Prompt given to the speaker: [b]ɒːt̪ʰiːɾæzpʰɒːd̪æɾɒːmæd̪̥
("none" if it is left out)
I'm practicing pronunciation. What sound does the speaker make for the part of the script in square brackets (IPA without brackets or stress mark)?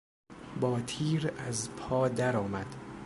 b